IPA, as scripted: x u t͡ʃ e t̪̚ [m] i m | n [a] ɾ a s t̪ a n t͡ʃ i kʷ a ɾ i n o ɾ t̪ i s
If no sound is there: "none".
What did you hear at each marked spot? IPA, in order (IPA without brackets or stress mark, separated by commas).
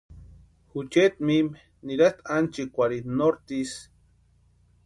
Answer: m, i